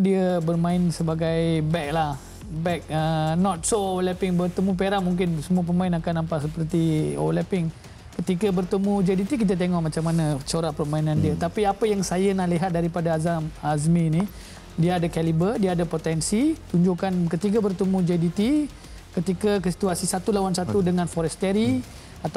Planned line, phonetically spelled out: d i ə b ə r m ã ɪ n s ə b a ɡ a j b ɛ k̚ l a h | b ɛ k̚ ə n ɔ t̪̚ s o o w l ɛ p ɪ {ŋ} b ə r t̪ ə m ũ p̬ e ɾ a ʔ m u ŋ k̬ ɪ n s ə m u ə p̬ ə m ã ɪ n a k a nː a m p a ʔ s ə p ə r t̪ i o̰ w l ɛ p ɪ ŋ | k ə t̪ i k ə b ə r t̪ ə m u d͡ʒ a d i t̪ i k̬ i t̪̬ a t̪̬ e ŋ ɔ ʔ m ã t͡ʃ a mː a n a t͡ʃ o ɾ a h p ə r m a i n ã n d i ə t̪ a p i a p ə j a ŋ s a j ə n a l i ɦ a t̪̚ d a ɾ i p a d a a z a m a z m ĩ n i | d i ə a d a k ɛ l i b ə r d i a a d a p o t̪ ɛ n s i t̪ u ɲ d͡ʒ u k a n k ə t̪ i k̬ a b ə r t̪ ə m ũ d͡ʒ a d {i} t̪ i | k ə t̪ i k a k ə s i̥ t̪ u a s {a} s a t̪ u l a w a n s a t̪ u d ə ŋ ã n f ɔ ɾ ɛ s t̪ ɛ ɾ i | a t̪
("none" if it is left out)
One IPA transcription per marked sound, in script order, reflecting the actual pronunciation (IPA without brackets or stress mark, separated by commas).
ŋ, i, i